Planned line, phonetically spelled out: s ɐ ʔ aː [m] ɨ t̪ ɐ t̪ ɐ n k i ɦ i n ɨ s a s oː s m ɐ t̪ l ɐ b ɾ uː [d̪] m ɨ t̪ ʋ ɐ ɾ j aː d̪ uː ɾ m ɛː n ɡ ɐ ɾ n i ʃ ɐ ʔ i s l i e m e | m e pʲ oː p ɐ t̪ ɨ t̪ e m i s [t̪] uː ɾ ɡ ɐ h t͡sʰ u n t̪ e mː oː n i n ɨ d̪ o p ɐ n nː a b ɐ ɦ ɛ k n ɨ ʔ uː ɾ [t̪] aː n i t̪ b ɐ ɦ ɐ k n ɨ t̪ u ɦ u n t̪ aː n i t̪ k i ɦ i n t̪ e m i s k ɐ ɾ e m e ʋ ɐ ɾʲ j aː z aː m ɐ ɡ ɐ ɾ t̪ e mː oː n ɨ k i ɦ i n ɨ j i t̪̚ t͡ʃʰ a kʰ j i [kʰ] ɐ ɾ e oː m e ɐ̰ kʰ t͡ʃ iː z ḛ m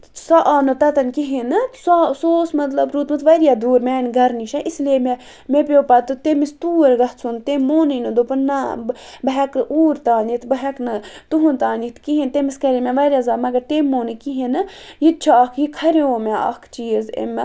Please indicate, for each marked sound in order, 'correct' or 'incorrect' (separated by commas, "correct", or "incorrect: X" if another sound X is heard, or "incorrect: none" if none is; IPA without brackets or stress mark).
incorrect: n, incorrect: t̪, correct, correct, correct